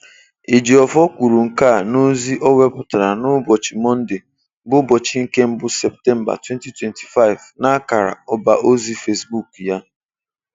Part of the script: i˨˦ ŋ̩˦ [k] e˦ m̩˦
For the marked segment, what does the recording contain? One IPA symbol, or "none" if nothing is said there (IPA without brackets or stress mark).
k